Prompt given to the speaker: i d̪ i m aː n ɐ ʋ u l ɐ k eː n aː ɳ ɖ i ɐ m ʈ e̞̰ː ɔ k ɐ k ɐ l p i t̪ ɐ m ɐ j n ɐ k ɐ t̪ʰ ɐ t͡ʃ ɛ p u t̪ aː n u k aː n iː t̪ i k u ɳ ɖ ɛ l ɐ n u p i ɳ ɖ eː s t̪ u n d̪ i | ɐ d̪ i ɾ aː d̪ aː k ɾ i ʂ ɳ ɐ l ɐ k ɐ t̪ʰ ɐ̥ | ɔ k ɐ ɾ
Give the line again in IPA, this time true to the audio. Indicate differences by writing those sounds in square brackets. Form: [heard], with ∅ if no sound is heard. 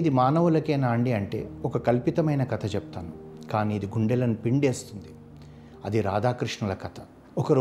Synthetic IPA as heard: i d̪ i m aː n ɐ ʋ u l ɐ k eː n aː ɳ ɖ i ɐ [ɳ] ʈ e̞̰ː ɔ k ɐ k ɐ l p i t̪ ɐ m ɐ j n ɐ k ɐ t̪ʰ ɐ t͡ʃ ɛ p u t̪ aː n u k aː n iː [d̪] i [ɡ] u ɳ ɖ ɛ l ɐ n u p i ɳ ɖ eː s t̪ u n d̪ i | ɐ d̪ i ɾ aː d̪ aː k ɾ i ʂ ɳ ɐ l ɐ k ɐ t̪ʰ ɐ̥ | ɔ k ɐ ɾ